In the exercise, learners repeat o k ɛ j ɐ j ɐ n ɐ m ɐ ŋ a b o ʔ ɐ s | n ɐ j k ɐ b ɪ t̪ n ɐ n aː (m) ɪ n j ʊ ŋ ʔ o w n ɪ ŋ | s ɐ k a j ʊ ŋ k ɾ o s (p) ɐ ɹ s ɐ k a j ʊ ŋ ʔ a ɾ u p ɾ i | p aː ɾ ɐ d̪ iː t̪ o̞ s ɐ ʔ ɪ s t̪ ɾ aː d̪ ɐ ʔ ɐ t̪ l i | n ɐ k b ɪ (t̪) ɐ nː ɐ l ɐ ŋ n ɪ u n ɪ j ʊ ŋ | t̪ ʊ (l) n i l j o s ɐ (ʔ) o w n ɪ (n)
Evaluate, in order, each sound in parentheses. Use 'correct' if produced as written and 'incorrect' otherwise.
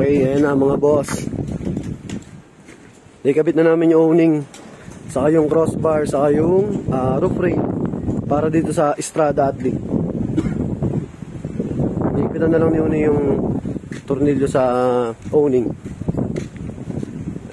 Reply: correct, incorrect, correct, incorrect, correct, incorrect

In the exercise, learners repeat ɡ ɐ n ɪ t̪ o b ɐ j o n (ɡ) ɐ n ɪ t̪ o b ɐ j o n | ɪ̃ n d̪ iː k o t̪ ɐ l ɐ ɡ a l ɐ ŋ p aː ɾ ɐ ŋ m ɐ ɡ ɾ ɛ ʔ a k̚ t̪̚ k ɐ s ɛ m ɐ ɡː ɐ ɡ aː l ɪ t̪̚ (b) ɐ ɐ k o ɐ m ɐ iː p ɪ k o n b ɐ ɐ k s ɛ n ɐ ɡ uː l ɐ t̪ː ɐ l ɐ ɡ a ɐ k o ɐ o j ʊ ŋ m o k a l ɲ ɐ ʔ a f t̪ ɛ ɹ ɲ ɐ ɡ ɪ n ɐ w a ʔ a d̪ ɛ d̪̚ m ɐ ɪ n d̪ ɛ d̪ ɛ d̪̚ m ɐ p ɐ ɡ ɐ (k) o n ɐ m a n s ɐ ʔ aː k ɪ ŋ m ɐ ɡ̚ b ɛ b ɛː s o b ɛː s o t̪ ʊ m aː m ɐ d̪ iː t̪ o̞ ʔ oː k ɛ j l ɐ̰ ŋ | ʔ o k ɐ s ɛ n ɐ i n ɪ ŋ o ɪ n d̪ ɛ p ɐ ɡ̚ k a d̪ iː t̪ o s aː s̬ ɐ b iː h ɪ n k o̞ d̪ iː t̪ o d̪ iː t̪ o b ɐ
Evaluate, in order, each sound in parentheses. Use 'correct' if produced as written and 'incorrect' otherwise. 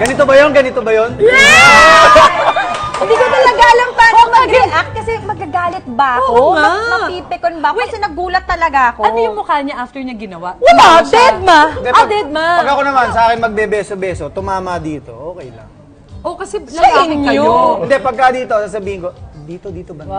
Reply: correct, correct, correct

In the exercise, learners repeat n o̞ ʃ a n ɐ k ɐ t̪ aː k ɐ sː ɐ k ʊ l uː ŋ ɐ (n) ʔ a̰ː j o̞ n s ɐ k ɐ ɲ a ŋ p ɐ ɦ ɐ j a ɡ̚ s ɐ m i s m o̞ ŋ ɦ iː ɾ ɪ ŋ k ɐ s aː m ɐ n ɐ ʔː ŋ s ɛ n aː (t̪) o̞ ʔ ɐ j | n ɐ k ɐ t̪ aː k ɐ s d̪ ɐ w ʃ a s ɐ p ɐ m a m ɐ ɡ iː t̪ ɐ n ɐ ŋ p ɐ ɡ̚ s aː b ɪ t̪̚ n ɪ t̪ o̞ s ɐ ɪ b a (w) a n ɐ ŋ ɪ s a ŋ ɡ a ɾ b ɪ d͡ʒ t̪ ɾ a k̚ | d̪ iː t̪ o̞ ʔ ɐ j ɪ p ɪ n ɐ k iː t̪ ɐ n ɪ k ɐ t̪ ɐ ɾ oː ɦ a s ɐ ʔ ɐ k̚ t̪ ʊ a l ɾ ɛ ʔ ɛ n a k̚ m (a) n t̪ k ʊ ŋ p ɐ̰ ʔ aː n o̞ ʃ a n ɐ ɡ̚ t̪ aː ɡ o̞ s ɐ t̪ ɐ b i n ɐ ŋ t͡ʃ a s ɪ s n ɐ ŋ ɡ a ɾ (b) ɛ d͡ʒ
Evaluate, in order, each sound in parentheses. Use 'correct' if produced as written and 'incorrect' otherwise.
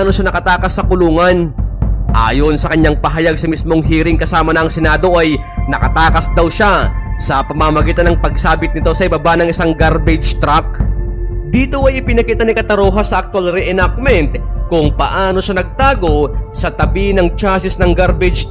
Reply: correct, incorrect, incorrect, incorrect, correct

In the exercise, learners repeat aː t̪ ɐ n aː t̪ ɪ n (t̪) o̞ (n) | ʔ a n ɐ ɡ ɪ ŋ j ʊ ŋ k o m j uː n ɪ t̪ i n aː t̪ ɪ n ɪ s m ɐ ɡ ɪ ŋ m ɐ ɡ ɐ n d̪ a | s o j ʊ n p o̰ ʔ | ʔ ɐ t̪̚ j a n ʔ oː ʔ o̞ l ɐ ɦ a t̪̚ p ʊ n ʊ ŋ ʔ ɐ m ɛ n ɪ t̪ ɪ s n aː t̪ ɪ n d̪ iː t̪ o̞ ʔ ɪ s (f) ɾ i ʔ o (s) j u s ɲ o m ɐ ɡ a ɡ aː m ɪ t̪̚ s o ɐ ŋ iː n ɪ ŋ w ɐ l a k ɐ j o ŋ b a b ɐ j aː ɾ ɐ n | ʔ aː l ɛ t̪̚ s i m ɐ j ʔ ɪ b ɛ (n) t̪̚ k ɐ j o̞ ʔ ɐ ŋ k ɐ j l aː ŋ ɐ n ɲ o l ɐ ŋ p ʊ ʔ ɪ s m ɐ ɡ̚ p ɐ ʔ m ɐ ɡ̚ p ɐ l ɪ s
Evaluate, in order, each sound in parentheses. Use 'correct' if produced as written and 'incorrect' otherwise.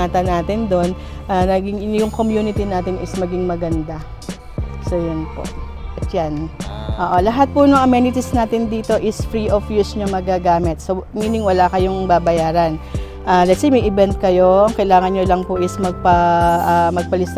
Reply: incorrect, correct, correct, incorrect, correct

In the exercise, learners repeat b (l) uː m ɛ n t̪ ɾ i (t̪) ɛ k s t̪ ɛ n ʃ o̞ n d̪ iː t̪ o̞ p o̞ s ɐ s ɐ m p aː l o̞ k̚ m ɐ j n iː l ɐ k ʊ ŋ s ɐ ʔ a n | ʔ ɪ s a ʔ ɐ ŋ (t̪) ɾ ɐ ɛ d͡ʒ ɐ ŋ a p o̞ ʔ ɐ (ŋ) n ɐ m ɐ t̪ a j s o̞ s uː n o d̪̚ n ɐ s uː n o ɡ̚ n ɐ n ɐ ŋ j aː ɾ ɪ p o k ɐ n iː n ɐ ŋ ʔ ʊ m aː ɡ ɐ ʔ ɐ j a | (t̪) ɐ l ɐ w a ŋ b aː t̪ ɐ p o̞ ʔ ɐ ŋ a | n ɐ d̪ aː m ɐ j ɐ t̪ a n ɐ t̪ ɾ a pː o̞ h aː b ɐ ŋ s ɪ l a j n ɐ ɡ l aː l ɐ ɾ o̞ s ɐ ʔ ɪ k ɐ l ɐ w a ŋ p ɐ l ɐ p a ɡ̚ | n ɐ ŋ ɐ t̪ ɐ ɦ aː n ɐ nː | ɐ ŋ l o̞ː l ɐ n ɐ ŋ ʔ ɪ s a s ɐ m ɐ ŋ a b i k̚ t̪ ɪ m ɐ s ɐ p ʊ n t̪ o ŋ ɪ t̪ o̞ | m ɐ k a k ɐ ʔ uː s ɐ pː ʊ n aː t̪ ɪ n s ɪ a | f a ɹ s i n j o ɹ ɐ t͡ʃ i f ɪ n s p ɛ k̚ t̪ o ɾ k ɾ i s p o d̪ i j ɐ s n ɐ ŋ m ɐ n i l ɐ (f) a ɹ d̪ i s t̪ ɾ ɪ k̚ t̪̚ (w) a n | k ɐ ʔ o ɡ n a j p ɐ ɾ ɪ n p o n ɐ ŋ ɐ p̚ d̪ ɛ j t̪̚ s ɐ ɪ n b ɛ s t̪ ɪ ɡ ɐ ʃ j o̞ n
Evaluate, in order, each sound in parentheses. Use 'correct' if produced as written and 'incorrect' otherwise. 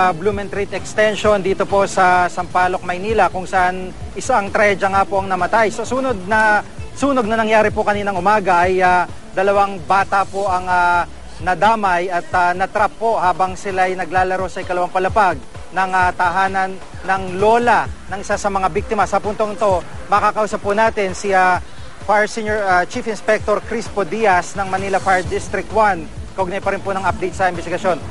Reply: correct, correct, correct, correct, incorrect, correct, correct

